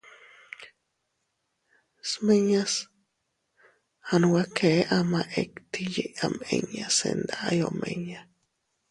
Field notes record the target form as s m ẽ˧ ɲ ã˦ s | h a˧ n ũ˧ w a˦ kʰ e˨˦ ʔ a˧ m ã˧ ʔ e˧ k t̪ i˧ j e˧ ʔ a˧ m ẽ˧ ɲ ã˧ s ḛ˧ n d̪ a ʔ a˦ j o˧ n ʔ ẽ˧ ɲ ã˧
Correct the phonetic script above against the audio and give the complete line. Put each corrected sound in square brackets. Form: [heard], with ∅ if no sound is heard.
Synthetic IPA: s m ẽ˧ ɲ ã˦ s | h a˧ n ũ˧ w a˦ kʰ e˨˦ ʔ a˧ m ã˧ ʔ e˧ k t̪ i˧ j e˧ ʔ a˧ m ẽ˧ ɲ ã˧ s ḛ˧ n d̪ a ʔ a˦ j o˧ [m] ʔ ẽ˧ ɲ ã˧